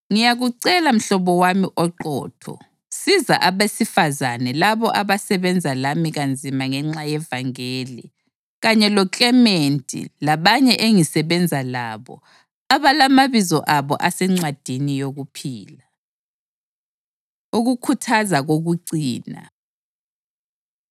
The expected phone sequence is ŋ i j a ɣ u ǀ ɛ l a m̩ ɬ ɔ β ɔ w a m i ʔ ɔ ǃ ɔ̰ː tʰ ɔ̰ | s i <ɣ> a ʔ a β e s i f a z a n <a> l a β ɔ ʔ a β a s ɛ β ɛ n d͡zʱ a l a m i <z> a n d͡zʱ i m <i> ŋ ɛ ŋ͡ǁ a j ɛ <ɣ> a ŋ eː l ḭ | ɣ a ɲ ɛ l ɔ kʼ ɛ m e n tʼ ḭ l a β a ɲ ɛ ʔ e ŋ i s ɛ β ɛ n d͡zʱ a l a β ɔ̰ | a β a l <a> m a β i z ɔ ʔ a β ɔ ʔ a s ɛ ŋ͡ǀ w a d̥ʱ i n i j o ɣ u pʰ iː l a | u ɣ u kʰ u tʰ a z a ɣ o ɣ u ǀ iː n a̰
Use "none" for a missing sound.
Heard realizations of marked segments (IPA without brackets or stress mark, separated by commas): z, ɛ, ɣ, a, v, a